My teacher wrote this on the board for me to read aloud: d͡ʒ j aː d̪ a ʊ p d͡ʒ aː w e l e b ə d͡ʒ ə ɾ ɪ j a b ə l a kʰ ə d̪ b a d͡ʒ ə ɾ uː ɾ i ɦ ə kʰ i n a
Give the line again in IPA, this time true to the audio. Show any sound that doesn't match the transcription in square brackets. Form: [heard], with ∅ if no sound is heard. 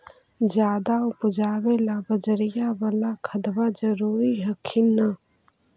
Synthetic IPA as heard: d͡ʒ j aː d̪ a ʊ p d͡ʒ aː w e l [a] b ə d͡ʒ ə ɾ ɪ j a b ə l a kʰ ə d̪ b a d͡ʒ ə ɾ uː ɾ i ɦ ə kʰ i n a